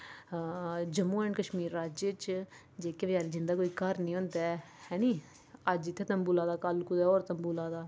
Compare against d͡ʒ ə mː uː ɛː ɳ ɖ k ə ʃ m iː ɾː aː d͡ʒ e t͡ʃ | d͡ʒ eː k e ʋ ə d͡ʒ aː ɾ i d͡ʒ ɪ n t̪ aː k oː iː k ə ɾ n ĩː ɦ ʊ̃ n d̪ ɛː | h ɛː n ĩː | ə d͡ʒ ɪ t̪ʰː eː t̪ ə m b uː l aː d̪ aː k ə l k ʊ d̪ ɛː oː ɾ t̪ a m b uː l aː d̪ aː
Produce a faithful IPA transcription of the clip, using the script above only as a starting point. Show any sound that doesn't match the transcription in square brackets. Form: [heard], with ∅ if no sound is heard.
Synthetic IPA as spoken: d͡ʒ ə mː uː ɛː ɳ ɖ k ə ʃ m iː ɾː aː d͡ʒ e t͡ʃ | d͡ʒ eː k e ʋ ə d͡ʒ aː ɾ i d͡ʒ ɪ n [d̪] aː k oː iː k ə ɾ n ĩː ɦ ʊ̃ n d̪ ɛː | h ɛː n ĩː | ə d͡ʒ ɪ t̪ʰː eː t̪ ə m b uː l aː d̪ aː k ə l k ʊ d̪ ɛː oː ɾ t̪ [ə] m b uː l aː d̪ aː